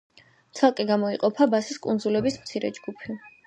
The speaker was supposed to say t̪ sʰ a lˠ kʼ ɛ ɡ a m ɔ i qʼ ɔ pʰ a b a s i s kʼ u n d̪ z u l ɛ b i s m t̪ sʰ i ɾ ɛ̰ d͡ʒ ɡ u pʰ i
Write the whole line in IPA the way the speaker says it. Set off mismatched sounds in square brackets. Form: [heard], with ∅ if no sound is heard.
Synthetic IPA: t̪ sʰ a lˠ kʼ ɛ ɡ a m ɔ i qʼ ɔ pʰ a b a s i s kʼ u n d̪ z u l ɛ b i s m t̪ sʰ i ɾ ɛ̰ d͡ʒ ɡ u pʰ i